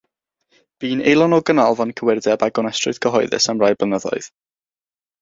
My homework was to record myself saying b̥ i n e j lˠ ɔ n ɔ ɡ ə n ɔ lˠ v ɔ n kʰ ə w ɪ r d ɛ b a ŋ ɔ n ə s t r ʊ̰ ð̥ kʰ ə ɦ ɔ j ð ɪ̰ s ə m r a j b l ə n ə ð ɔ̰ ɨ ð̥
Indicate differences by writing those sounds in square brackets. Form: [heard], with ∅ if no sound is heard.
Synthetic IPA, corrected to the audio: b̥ [iː] n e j lˠ ɔ n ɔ ɡ ə n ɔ lˠ v ɔ n kʰ ə w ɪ r d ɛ b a [ɡ] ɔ n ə s t r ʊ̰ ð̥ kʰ ə ɦ ɔ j ð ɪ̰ s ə m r a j b l ə n ə ð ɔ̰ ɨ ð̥